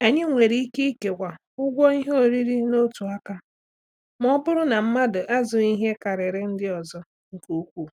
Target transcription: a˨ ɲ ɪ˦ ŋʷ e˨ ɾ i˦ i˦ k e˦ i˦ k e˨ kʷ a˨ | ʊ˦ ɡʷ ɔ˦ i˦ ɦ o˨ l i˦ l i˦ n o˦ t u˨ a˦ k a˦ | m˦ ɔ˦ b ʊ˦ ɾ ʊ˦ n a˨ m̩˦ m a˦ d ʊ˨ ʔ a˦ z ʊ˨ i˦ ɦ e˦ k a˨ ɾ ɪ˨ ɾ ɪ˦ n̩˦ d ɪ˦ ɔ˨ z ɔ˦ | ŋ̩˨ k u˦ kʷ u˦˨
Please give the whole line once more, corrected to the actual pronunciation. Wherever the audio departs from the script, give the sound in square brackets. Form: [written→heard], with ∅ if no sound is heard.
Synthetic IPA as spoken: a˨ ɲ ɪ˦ ŋʷ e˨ ɾ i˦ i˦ k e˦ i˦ k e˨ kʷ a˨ | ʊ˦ ɡʷ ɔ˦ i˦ ɦ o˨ [l→ɾ] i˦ [l→ɾ] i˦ n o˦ t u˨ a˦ k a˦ | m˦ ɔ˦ b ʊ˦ ɾ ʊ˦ n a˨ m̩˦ m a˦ d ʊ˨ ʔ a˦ z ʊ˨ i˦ ɦ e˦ k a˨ ɾ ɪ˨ ɾ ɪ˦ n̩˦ d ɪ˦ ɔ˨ z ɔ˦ | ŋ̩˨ k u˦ kʷ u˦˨